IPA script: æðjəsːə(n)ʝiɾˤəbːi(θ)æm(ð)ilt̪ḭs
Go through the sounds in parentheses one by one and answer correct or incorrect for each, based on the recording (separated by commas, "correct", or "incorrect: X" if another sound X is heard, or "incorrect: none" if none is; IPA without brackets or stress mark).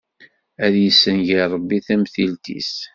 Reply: correct, correct, incorrect: θ